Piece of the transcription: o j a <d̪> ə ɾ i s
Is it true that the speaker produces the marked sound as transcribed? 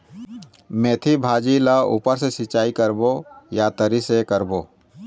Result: no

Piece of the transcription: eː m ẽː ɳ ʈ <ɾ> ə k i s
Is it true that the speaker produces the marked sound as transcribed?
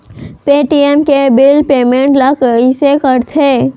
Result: no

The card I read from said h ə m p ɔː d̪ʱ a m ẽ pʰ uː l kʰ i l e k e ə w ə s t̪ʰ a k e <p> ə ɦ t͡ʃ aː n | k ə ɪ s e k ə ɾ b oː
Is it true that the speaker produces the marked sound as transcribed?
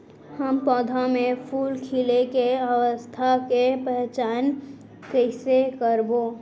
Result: yes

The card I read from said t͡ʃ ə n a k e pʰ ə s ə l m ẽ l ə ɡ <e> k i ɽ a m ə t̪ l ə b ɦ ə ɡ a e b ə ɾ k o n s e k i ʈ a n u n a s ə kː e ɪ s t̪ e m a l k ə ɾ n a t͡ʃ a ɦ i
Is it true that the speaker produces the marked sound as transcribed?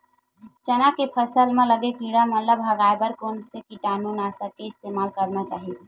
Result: yes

